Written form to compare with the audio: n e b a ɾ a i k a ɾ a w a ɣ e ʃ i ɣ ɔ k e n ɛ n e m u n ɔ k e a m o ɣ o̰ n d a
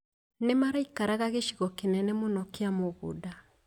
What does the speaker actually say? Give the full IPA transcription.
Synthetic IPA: n e m a ɾ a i k a ɾ a ɣ a ɣ e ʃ i ɣ ɔ k e n ɛ n e m o n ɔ k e a m o ɣ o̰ d a